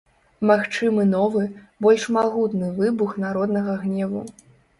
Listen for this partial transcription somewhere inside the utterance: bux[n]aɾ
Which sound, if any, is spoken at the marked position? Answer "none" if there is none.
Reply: n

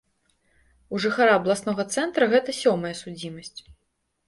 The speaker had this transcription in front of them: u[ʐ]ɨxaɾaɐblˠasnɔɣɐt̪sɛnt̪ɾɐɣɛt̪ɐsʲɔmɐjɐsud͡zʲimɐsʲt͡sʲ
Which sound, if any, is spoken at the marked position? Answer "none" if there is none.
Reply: ʐ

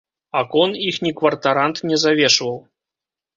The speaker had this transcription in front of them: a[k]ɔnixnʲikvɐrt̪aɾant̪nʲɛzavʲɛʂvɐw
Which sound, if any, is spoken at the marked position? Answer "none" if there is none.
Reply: k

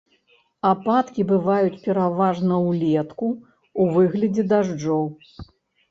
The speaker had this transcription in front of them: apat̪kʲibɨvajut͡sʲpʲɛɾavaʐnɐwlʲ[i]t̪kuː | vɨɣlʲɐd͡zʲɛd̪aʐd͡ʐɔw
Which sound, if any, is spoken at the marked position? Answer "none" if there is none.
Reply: ɛ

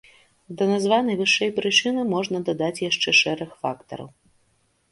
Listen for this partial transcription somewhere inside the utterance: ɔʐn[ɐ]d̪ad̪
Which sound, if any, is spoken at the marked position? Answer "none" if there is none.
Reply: ɐ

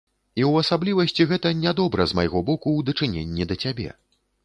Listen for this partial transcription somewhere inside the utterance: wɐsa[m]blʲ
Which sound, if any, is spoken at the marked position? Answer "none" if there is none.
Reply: none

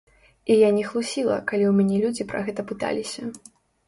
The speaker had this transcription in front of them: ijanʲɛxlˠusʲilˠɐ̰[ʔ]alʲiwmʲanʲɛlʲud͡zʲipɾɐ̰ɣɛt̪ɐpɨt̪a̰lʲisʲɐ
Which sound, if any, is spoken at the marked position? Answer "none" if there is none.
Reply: k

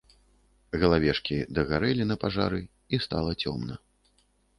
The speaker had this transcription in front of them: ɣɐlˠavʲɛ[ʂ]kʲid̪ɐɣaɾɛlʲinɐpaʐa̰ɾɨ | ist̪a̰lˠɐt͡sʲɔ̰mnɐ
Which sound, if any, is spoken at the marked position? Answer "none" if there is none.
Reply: ʂ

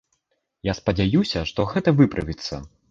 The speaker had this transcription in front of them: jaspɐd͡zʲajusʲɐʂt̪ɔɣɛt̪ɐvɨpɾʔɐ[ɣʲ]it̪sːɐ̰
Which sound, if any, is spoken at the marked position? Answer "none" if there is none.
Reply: vʲ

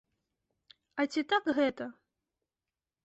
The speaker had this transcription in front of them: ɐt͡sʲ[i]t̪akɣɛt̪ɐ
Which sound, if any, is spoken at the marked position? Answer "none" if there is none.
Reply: i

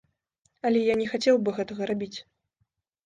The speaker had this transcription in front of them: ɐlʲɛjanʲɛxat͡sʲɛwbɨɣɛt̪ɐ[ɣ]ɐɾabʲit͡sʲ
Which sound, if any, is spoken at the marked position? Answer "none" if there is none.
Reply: ɣ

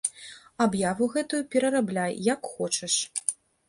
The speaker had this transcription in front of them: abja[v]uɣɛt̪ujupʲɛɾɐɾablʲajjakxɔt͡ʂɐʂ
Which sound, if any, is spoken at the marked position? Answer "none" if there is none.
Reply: v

